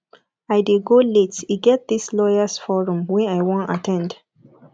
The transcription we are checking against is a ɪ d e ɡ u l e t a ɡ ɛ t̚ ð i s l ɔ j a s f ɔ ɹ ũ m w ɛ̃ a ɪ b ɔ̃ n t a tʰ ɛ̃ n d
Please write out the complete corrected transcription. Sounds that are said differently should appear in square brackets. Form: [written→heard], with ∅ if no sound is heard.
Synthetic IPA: a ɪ d e ɡ [u→o] l e t [a→i] ɡ ɛ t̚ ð i s l ɔ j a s f ɔ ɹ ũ m w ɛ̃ a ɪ [b→w] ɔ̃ n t a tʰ ɛ̃ n d